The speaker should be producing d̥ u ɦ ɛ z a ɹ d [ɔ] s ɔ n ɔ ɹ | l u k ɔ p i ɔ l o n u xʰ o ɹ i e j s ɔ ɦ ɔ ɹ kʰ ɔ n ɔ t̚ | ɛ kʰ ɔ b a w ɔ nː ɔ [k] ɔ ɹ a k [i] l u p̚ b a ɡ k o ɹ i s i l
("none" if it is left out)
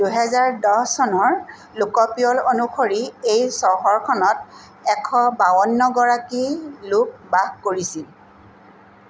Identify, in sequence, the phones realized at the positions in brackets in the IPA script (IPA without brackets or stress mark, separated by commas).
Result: ɔ, ɡ, i